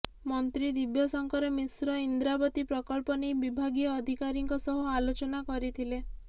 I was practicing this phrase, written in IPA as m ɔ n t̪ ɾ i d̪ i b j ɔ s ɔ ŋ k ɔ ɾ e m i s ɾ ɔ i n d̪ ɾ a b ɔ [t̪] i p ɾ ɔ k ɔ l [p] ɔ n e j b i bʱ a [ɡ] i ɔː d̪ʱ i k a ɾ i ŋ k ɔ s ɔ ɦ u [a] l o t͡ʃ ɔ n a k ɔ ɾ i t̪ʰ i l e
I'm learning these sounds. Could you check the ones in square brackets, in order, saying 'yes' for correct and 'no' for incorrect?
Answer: yes, yes, yes, yes

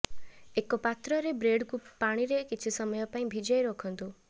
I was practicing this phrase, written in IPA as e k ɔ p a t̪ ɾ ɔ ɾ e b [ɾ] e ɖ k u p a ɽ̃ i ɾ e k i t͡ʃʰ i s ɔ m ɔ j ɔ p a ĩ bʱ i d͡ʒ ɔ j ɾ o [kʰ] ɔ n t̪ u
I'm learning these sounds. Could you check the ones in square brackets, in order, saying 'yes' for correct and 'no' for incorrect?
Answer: yes, yes

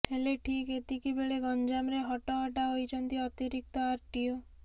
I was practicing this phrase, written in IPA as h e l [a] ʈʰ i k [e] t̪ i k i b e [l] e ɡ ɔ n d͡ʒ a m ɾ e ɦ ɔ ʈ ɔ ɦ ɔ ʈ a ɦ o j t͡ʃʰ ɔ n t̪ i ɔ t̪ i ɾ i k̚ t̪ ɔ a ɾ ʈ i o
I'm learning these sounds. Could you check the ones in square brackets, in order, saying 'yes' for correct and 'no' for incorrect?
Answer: no, yes, no

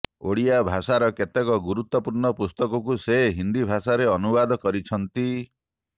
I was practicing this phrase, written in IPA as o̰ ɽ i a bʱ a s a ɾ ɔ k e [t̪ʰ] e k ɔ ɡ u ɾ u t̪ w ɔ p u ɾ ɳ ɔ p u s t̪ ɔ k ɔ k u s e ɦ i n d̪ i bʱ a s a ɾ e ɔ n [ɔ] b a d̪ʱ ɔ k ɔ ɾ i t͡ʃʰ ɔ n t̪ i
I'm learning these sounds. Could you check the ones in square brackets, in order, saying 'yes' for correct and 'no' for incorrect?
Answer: no, no

